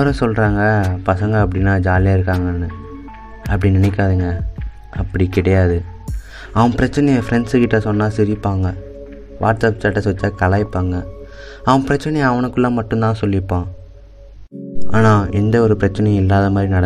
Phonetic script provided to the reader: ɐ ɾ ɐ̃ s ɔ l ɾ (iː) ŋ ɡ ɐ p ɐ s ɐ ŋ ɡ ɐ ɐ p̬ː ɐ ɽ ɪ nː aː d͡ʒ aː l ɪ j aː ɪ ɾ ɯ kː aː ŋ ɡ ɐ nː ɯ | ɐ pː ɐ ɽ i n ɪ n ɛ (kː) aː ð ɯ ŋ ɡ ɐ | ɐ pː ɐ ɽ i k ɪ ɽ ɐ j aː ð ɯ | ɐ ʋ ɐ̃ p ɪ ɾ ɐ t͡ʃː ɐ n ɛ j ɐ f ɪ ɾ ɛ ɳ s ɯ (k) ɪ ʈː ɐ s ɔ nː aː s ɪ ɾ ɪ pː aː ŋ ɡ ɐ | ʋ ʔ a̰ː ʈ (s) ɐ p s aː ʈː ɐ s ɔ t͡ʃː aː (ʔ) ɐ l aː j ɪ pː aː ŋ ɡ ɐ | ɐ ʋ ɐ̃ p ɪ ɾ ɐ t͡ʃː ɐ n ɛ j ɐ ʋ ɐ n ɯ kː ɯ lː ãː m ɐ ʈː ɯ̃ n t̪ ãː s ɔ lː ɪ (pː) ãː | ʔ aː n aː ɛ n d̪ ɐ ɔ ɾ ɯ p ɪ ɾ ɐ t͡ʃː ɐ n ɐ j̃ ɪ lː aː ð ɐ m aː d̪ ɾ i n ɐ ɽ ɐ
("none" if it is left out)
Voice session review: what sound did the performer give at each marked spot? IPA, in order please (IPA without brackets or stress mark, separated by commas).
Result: aː, kː, k, s, k, pː